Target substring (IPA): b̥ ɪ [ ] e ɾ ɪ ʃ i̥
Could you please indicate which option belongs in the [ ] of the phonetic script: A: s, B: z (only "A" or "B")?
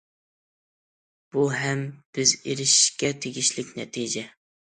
B